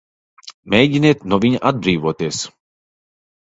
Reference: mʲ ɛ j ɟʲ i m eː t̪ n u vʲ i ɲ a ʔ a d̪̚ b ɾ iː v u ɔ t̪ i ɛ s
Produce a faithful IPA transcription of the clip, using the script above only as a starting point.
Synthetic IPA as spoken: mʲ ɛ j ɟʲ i n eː t̪ n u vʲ i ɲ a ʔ a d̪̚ b ɾ iː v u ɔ t̪ i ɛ s